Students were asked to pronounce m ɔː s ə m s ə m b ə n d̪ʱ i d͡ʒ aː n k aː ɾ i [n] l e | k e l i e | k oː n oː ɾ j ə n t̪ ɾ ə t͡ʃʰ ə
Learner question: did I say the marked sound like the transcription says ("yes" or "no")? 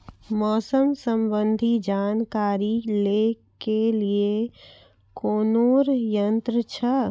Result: no